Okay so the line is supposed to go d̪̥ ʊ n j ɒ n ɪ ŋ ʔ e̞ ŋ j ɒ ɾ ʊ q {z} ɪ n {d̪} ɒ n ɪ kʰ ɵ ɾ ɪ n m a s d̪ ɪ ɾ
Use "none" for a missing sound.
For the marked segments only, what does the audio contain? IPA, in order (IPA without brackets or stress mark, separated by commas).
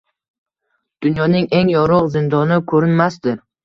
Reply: z, d̪